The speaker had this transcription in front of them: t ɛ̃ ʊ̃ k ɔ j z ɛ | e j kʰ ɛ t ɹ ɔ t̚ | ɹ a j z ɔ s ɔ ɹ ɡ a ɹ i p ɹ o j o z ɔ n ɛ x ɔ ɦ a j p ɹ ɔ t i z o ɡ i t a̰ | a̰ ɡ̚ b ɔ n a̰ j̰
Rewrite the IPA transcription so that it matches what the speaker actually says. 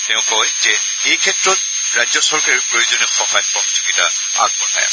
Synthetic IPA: t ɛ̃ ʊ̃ k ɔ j z ɛ | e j kʰ ɛ t ɹ ɔ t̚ | ɹ a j z ɔ s ɔ ɹ k a ɹ i p ɹ o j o z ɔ n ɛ x ɔ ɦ a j p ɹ ɔ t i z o ɡ i t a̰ | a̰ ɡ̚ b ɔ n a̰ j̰